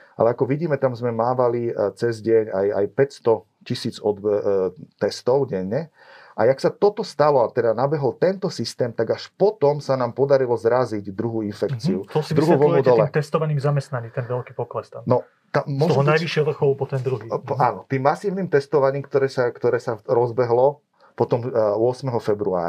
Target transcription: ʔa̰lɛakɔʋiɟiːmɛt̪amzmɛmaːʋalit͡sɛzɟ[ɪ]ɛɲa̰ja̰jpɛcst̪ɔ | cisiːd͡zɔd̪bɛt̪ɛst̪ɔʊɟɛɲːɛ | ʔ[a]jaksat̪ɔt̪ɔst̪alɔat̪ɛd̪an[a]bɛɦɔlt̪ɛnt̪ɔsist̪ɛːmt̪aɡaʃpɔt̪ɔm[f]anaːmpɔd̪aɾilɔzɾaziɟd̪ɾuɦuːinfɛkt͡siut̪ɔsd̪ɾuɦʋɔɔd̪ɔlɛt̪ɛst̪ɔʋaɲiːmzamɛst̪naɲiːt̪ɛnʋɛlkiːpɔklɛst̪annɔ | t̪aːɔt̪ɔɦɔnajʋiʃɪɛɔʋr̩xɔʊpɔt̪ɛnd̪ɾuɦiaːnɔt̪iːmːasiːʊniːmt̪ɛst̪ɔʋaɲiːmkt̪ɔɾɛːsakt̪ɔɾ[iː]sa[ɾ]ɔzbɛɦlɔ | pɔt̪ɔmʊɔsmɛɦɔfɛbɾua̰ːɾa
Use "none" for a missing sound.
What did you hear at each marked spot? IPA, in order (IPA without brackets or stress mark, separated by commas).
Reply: ɪ, a, a, s, ɛː, ɾ